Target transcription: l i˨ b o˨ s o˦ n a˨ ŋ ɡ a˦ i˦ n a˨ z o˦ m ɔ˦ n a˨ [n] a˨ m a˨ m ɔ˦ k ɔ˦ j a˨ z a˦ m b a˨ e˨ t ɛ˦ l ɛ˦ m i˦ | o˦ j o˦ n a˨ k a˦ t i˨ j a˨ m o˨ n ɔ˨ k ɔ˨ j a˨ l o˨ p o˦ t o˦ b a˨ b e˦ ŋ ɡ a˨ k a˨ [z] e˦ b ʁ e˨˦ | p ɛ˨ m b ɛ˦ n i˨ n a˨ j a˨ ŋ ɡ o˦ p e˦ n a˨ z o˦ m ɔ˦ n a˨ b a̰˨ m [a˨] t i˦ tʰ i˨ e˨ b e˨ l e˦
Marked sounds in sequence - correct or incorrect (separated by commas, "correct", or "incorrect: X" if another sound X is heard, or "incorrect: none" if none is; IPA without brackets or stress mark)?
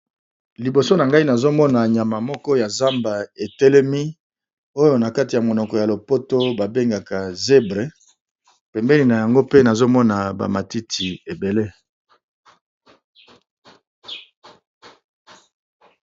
incorrect: ɲ, correct, correct